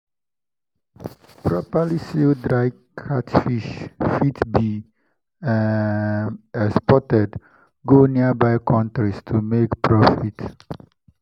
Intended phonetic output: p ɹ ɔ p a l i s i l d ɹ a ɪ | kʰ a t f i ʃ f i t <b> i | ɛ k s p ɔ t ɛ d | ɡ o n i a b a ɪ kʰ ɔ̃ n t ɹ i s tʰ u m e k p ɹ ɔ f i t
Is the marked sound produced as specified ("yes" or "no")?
yes